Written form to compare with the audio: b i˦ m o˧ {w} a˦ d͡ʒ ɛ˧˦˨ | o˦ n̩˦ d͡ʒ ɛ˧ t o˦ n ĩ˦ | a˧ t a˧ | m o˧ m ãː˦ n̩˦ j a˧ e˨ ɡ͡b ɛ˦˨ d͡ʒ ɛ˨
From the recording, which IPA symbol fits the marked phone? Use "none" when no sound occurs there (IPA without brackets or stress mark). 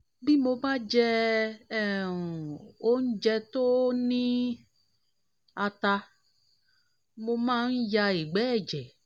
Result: b